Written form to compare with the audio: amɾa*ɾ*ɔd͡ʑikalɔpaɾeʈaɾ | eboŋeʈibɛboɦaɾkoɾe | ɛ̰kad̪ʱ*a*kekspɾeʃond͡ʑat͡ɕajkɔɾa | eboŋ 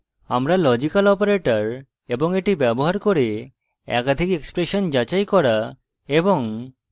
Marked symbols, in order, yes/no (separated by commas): no, no